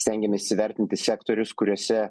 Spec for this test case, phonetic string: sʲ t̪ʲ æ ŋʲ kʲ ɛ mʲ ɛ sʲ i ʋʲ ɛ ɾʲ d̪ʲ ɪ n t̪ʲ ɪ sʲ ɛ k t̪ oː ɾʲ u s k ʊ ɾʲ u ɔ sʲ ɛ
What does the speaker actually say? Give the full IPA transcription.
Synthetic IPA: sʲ t̪ʲ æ ŋʲ ɡʲ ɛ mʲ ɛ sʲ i ʋʲ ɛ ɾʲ t̪ʲ ɪ n t̪ʲ ɪ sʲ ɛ k t̪ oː ɾʲ ʊ s k ʊ ɾʲ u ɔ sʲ ɛ